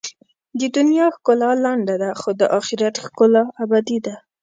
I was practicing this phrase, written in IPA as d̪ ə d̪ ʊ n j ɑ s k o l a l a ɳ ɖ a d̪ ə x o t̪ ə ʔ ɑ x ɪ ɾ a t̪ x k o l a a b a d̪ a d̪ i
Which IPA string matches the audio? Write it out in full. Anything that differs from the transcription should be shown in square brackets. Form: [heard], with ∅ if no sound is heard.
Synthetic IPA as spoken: d̪ ə d̪ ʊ n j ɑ [x] k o l a l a ɳ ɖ a d̪ [a] x o [d̪] ə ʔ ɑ x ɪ ɾ a t̪ x k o l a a b a d̪ [i] d̪ [a]